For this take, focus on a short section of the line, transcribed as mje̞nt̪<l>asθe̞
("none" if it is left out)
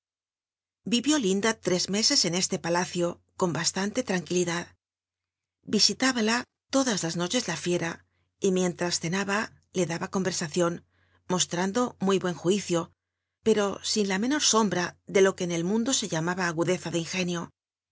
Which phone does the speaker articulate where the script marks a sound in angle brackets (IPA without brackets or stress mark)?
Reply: ɾ